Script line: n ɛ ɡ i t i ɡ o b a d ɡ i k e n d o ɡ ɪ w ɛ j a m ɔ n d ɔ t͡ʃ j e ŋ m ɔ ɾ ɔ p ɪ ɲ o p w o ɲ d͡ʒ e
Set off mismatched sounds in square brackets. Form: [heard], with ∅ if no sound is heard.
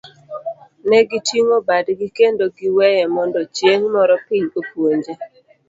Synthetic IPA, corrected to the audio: n ɛ ɡ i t i [ŋ] o b a d ɡ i k e n d o ɡ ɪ w ɛ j [ɛ] m ɔ n d ɔ t͡ʃ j e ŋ m ɔ ɾ ɔ p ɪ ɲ o p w o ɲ d͡ʒ e